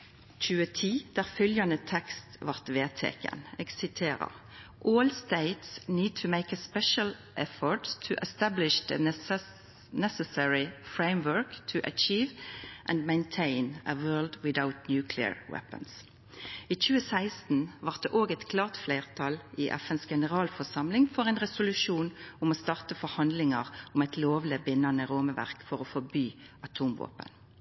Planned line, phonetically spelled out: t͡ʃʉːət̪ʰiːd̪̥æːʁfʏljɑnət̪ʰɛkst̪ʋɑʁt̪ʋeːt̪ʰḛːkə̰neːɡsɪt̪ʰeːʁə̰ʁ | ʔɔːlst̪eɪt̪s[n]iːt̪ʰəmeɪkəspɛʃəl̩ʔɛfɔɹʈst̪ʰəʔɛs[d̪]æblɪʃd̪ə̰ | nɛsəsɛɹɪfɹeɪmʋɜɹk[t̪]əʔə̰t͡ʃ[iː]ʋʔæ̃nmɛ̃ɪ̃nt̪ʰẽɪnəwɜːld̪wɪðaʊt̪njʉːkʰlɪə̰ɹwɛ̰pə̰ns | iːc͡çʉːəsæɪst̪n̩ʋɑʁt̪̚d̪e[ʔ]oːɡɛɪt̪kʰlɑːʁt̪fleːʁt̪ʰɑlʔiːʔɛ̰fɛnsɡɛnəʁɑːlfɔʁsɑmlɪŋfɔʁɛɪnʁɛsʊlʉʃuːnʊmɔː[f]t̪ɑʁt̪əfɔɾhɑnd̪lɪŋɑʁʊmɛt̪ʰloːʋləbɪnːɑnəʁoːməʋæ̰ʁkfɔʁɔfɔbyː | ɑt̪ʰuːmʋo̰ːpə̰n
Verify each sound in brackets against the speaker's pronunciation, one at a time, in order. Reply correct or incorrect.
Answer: correct, incorrect: t̪, incorrect: t̪ʰ, correct, correct, incorrect: s

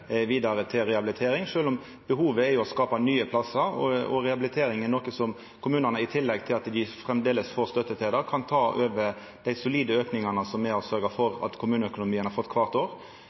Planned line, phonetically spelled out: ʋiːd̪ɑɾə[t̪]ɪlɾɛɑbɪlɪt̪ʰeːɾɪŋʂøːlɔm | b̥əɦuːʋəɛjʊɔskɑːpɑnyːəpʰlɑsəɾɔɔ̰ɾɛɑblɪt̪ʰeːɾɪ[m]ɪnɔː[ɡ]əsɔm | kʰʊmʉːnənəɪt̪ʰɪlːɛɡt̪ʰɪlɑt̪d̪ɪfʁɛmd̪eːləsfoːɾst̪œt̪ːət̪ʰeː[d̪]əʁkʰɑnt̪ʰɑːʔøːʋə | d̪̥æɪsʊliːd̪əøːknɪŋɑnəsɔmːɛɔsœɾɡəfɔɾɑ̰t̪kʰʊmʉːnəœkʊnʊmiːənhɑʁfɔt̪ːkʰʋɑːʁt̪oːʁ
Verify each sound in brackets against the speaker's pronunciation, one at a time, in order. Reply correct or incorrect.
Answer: incorrect: t̪ʰ, incorrect: ŋ, incorrect: k, correct

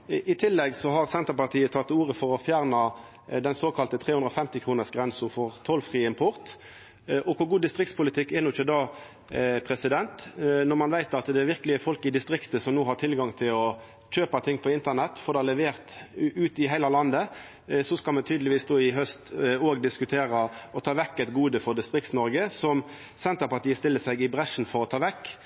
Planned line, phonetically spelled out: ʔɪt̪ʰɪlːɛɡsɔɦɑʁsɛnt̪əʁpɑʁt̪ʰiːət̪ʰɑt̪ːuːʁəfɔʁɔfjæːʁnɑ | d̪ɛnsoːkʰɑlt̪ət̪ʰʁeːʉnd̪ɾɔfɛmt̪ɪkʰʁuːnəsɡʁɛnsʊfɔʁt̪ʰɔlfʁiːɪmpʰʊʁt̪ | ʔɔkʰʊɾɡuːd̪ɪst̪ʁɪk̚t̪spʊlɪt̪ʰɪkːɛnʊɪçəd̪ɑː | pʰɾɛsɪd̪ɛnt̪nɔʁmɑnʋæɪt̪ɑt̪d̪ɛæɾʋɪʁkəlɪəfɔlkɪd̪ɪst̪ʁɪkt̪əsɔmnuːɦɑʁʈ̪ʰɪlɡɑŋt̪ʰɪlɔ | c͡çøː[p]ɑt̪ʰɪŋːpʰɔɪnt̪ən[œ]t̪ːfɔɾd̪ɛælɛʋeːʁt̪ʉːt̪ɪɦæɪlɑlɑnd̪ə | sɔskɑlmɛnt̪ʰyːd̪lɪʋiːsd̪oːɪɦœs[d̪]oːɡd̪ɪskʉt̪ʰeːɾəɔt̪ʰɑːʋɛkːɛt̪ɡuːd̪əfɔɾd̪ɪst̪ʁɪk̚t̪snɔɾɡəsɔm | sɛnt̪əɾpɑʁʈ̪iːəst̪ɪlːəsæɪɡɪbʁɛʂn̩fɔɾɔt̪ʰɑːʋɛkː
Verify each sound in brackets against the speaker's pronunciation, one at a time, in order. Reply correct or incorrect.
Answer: correct, incorrect: ɛ, incorrect: t̪

